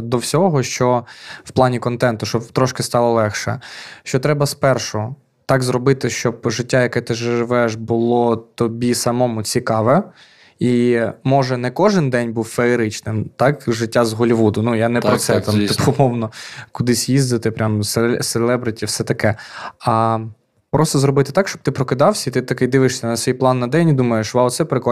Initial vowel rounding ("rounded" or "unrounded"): rounded